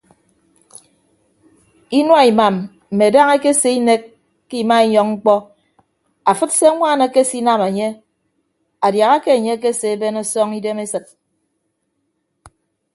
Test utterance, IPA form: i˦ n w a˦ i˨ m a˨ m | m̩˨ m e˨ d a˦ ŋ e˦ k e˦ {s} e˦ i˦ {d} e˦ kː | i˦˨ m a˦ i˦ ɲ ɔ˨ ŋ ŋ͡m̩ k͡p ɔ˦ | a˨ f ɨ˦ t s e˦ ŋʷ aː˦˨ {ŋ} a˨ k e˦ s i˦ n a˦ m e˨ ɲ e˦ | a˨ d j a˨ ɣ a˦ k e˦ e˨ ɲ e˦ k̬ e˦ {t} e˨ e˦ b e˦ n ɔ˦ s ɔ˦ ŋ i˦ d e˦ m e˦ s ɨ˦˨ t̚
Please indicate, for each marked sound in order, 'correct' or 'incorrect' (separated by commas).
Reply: correct, incorrect, incorrect, incorrect